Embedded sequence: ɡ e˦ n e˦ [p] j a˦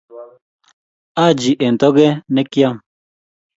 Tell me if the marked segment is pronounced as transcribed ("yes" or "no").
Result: no